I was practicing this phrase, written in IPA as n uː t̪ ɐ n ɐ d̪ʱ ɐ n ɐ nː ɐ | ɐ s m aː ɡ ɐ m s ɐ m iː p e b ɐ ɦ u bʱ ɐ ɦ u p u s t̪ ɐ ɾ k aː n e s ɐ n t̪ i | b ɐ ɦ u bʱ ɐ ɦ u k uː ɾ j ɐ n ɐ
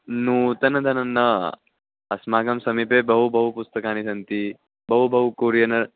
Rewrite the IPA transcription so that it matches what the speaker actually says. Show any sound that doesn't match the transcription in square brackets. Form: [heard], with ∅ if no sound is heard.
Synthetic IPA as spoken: n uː t̪ ɐ n ɐ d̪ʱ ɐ n ɐ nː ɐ | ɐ s m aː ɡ ɐ m s ɐ m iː p e b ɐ ɦ u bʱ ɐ ɦ u p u s t̪ ɐ [∅] k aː n [i] s ɐ n t̪ i | b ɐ ɦ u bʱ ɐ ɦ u k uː ɾ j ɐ n ɐ

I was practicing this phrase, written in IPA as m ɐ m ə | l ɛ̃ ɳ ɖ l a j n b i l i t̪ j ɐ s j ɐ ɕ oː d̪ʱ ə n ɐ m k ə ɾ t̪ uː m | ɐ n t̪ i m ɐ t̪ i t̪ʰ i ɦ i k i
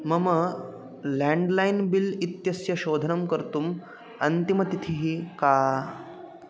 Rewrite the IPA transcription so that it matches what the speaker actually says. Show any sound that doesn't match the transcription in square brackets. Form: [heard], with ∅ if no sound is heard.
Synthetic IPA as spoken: m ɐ m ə | l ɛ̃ ɳ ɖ l a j n b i l i t̪ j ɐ s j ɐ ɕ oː d̪ʱ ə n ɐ m k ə ɾ t̪ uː m | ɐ n t̪ i m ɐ t̪ i t̪ʰ i ɦ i k [a]

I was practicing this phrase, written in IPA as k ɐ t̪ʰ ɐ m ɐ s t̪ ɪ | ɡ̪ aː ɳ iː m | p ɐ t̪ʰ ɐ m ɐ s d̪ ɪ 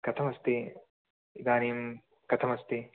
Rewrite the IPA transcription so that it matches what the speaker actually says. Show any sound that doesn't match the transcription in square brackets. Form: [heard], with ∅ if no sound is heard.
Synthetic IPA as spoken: k ɐ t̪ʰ ɐ m ɐ s t̪ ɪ | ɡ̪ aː [n] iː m | [k] ɐ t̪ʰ ɐ m ɐ s [t̪] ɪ

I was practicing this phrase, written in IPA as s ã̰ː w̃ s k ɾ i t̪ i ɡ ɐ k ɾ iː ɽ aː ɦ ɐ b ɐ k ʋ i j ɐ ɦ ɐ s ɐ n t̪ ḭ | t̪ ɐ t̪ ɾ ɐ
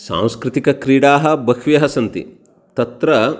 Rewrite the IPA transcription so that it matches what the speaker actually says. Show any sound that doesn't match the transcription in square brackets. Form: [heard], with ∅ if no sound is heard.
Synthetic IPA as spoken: s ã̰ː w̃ s k ɾ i t̪ i [k] ɐ k ɾ iː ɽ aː ɦ ɐ b ɐ k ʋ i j ɐ ɦ ɐ s ɐ n t̪ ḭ | t̪ ɐ t̪ ɾ ɐ

